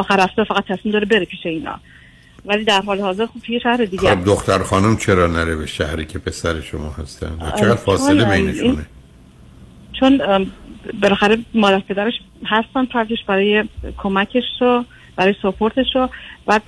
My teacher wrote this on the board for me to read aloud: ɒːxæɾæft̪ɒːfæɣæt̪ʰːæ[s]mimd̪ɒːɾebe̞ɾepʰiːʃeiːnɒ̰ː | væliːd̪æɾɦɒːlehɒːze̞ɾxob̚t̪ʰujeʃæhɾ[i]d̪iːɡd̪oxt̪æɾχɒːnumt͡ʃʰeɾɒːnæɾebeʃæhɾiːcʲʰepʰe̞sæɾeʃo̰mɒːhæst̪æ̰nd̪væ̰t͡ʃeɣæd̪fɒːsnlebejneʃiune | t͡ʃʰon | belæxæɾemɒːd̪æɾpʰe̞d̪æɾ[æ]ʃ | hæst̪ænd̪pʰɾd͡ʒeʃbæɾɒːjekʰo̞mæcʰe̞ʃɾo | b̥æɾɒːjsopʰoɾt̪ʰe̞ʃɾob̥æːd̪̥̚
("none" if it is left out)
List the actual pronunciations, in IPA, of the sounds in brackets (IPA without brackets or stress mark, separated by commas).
s, e, e